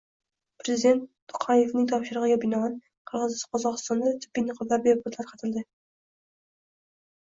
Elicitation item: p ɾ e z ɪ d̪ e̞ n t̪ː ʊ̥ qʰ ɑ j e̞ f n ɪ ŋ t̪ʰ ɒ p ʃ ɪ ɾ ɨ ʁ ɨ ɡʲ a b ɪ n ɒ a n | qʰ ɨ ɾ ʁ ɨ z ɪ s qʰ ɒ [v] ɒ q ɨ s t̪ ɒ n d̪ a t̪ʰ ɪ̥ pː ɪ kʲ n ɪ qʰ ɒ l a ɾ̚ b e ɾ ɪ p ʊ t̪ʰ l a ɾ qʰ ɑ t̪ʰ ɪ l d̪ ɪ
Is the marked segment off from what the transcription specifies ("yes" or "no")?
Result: yes